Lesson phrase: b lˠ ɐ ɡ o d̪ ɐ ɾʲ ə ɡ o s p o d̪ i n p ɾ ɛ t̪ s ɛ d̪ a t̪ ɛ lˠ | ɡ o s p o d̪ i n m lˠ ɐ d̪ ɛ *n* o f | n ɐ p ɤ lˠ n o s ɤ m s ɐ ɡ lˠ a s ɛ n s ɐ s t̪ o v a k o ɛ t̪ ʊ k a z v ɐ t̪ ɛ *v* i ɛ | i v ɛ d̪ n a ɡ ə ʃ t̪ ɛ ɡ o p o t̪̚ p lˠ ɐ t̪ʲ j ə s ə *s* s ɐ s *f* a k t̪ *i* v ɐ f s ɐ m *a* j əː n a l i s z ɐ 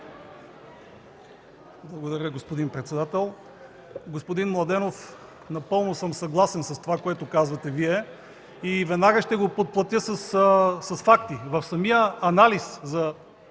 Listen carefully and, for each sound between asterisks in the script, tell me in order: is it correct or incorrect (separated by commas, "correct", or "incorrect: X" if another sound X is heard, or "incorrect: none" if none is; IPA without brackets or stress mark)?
correct, correct, correct, correct, correct, incorrect: i